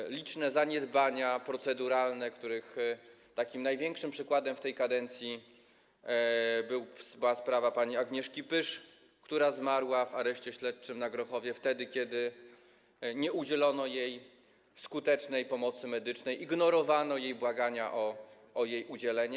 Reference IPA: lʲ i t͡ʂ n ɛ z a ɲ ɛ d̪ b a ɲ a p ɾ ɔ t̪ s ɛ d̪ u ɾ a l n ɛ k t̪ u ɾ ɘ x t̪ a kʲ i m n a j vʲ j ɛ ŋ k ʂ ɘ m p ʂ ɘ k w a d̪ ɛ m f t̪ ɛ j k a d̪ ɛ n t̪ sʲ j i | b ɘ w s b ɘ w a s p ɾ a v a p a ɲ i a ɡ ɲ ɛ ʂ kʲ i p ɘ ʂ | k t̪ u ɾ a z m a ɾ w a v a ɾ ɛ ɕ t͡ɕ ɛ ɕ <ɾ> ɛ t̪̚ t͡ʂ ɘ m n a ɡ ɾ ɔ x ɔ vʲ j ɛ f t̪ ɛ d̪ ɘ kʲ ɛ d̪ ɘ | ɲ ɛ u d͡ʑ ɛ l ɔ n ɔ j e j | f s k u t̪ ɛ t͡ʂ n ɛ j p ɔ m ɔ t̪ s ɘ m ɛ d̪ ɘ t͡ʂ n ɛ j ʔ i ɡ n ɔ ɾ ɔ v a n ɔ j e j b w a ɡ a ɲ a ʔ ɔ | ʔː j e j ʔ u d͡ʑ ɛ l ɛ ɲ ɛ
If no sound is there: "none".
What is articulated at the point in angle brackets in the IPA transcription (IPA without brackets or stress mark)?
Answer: l